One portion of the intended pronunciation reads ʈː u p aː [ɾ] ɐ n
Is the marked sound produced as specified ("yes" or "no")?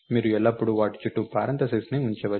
yes